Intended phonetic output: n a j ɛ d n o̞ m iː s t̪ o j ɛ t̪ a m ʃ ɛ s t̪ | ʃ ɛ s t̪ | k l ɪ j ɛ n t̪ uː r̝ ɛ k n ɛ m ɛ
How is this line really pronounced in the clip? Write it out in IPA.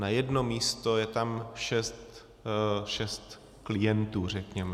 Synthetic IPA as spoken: n a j ɛ d n o̞ m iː s t̪ o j ɛ t̪ a m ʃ ɛ s t̪ | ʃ ɛ s t̪ | k l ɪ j ɛ n t̪ uː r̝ ɛ k ɲ ɛ m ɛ